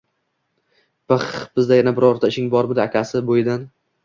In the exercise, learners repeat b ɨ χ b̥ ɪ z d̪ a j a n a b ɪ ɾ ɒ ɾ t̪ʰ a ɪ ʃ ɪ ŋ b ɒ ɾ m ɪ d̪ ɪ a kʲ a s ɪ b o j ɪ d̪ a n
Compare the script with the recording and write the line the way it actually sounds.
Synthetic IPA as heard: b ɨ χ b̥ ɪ z d̪ a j a n a b ɪ ɾ ɒ ɾ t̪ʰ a ɪ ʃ ɪ ŋ b ɒ ɾ m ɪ d̪ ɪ a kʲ a s ɪ b o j ɪ d̪ a n